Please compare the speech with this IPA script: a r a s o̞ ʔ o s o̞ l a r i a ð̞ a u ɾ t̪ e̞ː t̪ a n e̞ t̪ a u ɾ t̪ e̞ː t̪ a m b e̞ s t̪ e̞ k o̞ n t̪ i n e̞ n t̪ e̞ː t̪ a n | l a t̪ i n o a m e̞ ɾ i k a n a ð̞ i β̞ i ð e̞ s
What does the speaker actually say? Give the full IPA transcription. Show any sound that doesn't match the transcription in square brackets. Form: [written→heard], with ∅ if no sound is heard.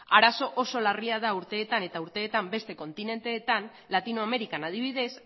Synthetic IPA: a [r→ɾ] a s o̞ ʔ o s o̞ l a r i a ð̞ a u ɾ t̪ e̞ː t̪ a n e̞ t̪ a u ɾ t̪ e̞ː t̪ a m b e̞ s t̪ e̞ k o̞ n t̪ i n e̞ n t̪ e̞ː t̪ a n | l a t̪ i n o a m e̞ ɾ i k a n a ð̞ i β̞ i ð e̞ s

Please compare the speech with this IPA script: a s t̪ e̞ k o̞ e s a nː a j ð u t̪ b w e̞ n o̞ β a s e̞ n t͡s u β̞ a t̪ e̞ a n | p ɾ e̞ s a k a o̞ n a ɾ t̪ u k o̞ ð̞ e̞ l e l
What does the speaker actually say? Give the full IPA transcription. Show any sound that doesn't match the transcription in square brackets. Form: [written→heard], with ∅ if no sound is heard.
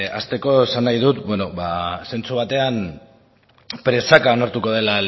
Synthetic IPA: a s t̪ e̞ k o̞ e s a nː a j ð u t̪ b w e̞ n o̞ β a s e̞ n t͡s u β̞ a t̪ e̞ a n | p ɾ e̞ s a k a o̞ n a ɾ t̪ u k o̞ ð̞ e̞ l [e→a] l

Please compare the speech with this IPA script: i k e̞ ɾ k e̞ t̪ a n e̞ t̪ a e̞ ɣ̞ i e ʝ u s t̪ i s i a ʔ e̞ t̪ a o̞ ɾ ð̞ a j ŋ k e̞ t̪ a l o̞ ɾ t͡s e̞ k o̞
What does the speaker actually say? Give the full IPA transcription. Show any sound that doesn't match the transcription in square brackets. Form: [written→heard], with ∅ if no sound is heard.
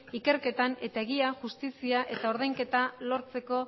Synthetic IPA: i k e̞ ɾ k e̞ t̪ a n e̞ t̪ a e̞ ɣ̞ i [e→a] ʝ u s t̪ i s i a ʔ e̞ t̪ a o̞ ɾ ð̞ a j ŋ k e̞ t̪ a l o̞ ɾ t͡s e̞ k o̞

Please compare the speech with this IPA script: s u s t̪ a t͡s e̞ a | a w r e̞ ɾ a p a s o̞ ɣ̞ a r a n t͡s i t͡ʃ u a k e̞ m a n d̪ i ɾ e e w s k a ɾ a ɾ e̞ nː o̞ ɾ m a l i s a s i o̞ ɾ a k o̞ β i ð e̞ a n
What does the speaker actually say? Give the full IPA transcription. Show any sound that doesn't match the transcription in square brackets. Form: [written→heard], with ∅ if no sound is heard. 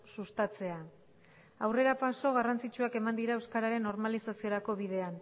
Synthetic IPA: s u s t̪ a t͡s e̞ a | a w r e̞ ɾ a p a s o̞ ɣ̞ a r a n t͡s i t͡ʃ u a k e̞ m a n d̪ i ɾ [e→a] e w s k a ɾ a ɾ e̞ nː o̞ ɾ m a l i s a s i o̞ ɾ a k o̞ β i ð e̞ a n

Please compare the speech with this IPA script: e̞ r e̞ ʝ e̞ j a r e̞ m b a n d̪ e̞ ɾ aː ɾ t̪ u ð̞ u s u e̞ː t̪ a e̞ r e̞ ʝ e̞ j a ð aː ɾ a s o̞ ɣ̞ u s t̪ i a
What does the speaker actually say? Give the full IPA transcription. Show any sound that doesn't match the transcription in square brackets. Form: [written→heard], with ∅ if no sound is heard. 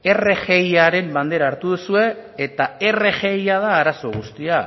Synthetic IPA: e̞ r e̞ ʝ e̞ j a [r→ɾ] e̞ m b a n d̪ e̞ ɾ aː ɾ t̪ u ð̞ u s u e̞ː t̪ a e̞ r e̞ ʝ e̞ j a ð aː ɾ a s o̞ ɣ̞ u s t̪ i a

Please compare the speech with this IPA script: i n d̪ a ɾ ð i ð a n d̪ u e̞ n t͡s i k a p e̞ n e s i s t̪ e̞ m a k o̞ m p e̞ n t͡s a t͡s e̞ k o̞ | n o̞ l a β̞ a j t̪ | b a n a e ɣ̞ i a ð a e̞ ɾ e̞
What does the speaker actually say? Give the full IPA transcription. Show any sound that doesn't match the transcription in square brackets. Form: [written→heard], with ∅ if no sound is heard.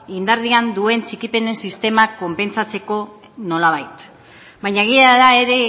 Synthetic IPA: i n d̪ a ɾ ð i [ð→∅] a n d̪ u e̞ n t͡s i k [a→i] p e̞ n e s i s t̪ e̞ m a k o̞ m p e̞ n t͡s a t͡s e̞ k o̞ | n o̞ l a β̞ a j t̪ | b a [n→ɲ] a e ɣ̞ i a ð a e̞ ɾ e̞

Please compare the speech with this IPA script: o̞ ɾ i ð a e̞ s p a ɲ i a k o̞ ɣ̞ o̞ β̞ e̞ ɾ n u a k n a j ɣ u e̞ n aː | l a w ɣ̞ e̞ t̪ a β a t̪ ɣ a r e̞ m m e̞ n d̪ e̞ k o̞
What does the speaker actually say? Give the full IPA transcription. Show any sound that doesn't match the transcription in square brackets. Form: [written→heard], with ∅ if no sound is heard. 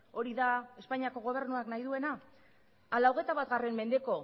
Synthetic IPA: o̞ ɾ i ð a e̞ s p a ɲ i a k o̞ ɣ̞ o̞ β̞ e̞ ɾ n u a k n a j [ɣ→ð] u e̞ n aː | l a w ɣ̞ e̞ t̪ a β a t̪ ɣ a r e̞ m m e̞ n d̪ e̞ k o̞

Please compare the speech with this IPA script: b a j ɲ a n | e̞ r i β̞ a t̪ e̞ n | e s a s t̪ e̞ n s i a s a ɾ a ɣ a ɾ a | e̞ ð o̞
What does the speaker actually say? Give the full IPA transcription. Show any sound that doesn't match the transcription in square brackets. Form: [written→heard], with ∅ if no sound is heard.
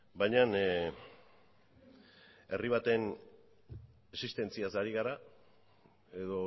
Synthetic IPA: b a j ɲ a n | e̞ r i β̞ a t̪ e̞ n | e s [a→i] s t̪ e̞ n [s→t͡s] i a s a ɾ [a→i] ɣ a ɾ a | e̞ ð o̞

